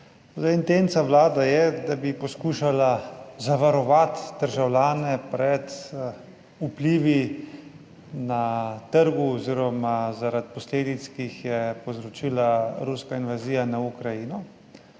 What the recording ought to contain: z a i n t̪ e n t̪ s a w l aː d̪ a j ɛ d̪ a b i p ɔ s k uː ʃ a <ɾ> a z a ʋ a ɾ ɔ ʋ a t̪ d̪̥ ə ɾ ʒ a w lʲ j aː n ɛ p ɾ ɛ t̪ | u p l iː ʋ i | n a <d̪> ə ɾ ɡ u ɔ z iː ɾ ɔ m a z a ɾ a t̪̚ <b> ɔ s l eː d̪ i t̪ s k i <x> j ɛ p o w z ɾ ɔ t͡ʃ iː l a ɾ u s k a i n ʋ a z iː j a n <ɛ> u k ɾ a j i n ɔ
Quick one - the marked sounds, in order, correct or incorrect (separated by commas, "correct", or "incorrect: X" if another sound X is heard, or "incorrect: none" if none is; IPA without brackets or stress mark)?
incorrect: l, incorrect: t̪, incorrect: p, correct, incorrect: a